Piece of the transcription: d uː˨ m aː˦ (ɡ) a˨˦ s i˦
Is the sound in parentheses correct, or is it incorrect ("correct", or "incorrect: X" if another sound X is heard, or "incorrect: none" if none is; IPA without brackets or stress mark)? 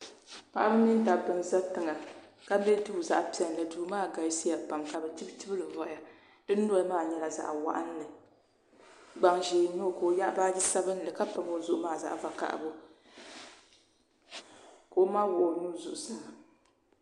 correct